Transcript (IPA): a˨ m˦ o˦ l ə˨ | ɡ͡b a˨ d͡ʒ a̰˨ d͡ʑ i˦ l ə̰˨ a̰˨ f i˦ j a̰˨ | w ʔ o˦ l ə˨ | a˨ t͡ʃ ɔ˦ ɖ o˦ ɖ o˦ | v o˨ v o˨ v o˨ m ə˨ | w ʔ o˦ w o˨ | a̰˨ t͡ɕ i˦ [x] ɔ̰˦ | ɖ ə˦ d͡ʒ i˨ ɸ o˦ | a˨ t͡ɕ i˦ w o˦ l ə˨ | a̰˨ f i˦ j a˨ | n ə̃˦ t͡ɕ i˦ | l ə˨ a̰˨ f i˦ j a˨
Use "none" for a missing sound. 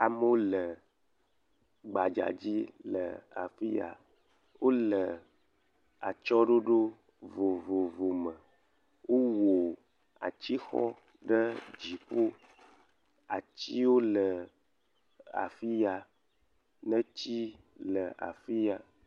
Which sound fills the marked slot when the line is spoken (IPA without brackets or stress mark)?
x